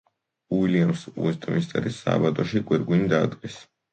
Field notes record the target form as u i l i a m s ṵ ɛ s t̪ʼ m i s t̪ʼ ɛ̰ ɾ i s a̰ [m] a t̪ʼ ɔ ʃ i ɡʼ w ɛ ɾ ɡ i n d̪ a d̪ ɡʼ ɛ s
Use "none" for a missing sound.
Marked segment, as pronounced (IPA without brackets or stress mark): b